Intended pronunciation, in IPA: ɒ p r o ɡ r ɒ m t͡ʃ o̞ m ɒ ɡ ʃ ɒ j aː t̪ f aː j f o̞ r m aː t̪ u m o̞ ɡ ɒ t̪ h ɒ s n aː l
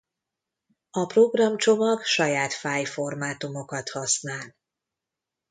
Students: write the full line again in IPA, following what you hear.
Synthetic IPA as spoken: ɒ p r o ɡ r ɒ m t͡ʃ o̞ m ɒ ɡ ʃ ɒ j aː t̪ f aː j f o̞ r m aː t̪ u m o̞ k ɒ t̪ h ɒ s n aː l